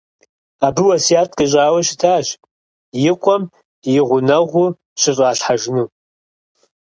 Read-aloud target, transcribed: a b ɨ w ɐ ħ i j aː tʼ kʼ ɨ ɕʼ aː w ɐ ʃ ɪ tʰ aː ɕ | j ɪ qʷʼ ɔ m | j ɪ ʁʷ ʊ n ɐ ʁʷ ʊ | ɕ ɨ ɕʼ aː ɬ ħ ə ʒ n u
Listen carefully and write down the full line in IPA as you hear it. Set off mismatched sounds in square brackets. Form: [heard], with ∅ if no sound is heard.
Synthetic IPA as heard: a b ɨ w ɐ [s] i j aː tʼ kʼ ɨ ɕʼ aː w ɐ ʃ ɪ tʰ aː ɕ | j ɪ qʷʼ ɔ m | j ɪ ʁʷ ʊ n ɐ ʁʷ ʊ | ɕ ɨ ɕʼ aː ɬ ħ [a] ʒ n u